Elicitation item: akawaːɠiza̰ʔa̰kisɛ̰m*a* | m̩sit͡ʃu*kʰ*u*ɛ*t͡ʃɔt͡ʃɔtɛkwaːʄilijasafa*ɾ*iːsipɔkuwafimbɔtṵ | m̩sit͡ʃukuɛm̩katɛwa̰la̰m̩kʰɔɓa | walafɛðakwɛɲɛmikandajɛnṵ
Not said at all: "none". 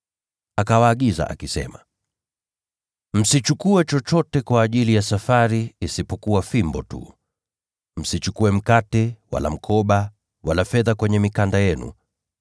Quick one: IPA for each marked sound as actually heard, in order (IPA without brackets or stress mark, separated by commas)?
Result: a, k, ɛ, ɾ